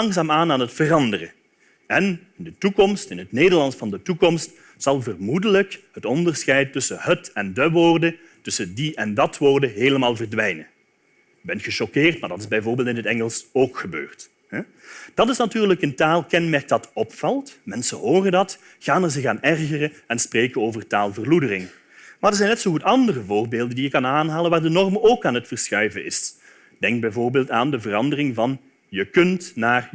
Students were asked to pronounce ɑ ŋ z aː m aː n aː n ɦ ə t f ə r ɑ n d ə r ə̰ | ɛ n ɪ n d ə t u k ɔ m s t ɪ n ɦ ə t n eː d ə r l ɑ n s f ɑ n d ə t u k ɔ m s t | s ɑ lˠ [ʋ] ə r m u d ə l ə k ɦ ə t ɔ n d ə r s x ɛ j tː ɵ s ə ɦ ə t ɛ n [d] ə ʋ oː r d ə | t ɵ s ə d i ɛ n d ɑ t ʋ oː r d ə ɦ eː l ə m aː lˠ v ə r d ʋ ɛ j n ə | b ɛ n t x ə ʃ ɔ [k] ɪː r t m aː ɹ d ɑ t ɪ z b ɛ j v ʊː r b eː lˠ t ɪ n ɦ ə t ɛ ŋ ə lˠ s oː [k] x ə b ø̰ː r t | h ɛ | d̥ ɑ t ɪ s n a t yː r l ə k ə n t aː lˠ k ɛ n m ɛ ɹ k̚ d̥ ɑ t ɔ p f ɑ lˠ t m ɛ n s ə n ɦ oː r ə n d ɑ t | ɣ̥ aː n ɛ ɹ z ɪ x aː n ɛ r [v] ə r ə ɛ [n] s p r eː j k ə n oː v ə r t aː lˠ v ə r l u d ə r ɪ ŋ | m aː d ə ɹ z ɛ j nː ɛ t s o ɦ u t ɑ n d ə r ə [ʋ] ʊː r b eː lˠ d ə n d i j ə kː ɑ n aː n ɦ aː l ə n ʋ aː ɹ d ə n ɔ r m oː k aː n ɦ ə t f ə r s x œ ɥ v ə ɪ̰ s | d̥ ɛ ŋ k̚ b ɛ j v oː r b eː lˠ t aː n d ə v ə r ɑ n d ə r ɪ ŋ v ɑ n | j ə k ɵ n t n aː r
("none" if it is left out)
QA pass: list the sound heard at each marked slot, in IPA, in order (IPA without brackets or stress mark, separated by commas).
v, d, k, k, ɣ, n, v